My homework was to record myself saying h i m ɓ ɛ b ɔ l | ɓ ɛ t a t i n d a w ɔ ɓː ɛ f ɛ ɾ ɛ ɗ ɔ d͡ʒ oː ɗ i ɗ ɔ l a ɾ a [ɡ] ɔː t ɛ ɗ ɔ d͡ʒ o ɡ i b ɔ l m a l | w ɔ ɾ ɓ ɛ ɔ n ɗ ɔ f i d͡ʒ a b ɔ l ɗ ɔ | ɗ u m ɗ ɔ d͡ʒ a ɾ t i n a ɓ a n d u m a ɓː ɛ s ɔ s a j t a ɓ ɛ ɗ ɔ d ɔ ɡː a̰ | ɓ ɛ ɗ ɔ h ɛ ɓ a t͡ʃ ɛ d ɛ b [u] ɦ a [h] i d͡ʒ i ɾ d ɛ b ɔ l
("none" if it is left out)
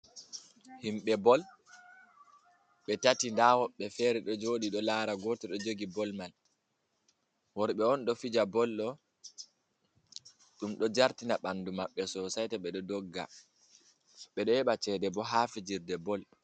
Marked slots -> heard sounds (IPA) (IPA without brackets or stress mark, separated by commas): ɡ, ɔ, f